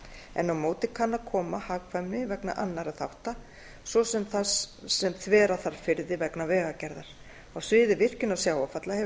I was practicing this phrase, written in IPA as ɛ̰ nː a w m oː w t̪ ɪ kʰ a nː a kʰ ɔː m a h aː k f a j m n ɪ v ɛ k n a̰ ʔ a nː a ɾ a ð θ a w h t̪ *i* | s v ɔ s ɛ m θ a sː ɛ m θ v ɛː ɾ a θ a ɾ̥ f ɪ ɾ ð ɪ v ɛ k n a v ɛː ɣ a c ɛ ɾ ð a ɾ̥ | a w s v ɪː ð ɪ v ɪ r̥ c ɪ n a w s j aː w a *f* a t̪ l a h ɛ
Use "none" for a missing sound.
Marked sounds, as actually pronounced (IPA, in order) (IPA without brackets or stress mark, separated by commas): a, f